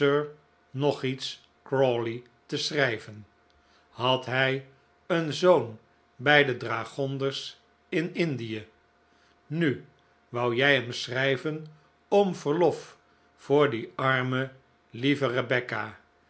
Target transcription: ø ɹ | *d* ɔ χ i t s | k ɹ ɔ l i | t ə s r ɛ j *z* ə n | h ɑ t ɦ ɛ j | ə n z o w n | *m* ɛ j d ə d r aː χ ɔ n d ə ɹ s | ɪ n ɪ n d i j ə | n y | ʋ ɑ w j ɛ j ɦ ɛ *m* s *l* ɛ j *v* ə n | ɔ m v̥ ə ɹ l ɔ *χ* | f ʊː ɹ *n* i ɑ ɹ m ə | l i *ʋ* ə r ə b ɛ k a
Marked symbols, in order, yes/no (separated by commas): no, no, no, yes, no, yes, no, no, no